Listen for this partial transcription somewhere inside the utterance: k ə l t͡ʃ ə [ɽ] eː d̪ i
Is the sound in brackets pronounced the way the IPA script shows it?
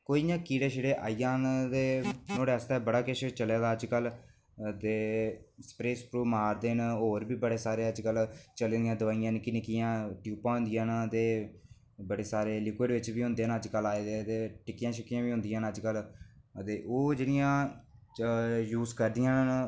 no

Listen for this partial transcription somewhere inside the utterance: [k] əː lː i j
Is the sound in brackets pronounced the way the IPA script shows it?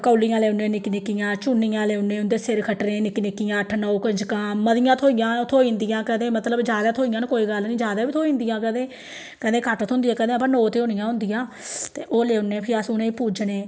yes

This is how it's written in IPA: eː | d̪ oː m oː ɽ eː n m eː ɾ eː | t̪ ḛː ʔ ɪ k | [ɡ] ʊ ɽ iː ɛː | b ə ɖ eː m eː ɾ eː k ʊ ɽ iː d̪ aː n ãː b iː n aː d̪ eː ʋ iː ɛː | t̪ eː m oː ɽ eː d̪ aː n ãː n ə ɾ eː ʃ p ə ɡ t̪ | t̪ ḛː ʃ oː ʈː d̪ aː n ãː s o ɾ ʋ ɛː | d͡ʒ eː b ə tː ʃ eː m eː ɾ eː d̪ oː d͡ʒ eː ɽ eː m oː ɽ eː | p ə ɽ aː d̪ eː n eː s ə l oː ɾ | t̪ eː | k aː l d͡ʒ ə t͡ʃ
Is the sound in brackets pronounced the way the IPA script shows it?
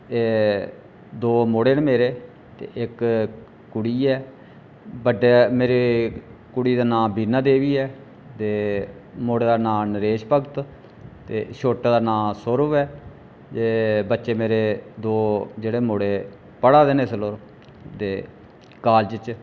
no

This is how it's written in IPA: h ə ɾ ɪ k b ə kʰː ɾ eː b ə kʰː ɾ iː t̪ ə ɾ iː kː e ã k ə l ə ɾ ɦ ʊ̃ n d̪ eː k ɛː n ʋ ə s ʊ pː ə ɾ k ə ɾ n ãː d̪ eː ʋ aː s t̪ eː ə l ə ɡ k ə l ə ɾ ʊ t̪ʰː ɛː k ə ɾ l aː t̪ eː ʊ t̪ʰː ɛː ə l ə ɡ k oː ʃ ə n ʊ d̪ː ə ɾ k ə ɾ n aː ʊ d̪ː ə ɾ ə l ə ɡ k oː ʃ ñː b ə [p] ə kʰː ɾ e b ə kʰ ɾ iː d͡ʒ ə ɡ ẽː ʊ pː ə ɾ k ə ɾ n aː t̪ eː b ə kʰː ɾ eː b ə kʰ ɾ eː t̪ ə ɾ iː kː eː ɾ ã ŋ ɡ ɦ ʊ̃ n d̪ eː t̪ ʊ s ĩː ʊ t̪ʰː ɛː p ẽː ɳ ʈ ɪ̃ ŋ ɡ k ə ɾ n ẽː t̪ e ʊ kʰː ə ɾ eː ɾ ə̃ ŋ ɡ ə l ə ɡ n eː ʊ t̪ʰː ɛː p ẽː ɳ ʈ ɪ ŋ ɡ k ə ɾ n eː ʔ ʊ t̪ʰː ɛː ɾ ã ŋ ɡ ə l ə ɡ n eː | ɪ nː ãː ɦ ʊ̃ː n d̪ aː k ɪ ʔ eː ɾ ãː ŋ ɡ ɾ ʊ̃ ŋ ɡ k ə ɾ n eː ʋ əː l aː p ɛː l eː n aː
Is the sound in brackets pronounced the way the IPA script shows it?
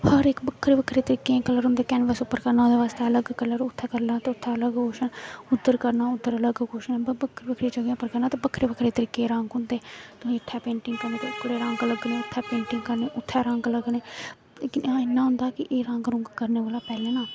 no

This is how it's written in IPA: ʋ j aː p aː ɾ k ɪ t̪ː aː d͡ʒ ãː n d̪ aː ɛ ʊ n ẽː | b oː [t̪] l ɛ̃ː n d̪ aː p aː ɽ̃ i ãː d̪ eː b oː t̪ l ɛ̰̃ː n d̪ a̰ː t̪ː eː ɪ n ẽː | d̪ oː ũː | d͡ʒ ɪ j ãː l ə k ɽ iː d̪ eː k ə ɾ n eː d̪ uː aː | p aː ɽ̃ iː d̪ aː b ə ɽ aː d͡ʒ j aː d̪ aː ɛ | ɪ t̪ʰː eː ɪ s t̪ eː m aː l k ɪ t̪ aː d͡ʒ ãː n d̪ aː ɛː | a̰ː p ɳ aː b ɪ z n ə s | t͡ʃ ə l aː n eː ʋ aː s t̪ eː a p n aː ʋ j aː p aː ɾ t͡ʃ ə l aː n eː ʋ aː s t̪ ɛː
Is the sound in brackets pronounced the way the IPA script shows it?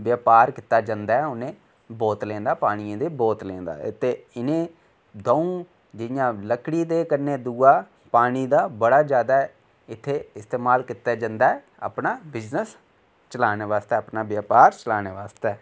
yes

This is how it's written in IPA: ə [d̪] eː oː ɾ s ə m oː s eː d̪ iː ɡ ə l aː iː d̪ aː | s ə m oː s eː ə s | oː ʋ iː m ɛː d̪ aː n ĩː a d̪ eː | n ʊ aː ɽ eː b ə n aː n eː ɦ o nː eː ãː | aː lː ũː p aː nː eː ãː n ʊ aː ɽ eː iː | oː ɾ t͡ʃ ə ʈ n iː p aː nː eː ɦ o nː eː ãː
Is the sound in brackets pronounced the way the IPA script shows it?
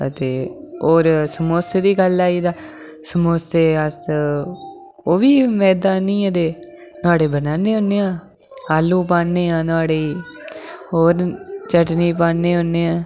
no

